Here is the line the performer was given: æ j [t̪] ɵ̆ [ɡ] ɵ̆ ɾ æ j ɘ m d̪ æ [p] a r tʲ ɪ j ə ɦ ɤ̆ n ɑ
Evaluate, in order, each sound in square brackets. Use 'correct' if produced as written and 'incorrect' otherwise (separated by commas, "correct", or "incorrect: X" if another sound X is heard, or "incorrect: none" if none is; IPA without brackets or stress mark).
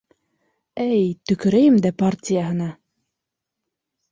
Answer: correct, incorrect: k, correct